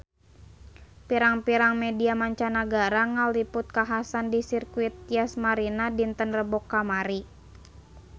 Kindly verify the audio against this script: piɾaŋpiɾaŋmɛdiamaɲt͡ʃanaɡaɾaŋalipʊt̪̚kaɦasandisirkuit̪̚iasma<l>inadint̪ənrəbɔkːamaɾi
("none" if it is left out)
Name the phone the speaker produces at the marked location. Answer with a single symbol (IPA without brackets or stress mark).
ɾ